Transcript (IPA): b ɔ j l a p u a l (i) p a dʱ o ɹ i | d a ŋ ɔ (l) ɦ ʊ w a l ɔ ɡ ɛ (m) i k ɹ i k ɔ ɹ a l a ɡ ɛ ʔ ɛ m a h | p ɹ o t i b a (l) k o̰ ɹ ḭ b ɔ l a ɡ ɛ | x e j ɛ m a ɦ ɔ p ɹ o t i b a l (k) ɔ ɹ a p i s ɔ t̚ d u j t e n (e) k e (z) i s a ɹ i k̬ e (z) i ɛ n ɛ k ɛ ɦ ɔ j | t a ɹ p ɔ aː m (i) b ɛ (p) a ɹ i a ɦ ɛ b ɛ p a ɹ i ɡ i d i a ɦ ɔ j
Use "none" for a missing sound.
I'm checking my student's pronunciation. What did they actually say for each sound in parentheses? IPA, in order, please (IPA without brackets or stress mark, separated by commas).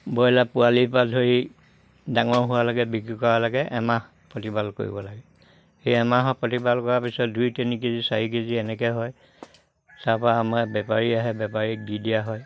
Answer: i, ɹ, b, l, k, i, z, z, a, p